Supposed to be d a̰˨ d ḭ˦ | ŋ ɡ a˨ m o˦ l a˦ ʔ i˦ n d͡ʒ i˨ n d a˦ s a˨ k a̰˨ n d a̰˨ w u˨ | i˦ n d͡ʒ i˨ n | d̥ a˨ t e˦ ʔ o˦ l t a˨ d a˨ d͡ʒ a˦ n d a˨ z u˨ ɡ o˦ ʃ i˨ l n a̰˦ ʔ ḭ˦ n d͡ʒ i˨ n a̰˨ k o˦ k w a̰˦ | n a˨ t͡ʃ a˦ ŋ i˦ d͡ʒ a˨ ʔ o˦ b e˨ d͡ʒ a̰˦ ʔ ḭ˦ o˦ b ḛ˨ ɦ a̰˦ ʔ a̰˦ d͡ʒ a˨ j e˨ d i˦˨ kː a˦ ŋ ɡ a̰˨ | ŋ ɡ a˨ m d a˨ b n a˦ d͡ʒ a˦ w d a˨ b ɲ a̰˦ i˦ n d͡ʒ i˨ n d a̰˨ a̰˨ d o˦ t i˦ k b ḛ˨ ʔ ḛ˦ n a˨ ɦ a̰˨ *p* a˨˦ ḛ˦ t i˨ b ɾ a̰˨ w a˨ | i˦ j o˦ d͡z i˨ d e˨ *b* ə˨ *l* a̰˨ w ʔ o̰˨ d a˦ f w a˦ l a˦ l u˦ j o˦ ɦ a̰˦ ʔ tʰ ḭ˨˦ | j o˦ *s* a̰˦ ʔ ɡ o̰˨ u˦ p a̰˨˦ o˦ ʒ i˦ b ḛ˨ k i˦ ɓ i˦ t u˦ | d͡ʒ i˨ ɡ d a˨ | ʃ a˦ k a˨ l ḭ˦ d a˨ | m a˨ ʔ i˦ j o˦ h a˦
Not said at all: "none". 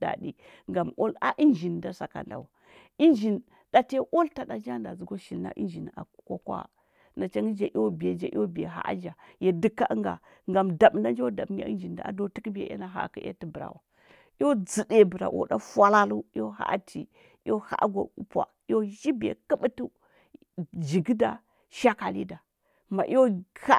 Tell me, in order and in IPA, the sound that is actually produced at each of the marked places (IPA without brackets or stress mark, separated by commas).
k, b, ɾ, h